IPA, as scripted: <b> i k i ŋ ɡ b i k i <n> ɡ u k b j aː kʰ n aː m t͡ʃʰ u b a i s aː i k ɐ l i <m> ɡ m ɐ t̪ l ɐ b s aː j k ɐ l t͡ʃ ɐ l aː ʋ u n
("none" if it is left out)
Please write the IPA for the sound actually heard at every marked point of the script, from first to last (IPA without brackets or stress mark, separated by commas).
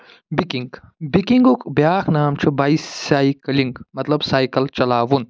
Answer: b, ŋ, ŋ